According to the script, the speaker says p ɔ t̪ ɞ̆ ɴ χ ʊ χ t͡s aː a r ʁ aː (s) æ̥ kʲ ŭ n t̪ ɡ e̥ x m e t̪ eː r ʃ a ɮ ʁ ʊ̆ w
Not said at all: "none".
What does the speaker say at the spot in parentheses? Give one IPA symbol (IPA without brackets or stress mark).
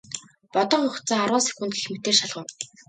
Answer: s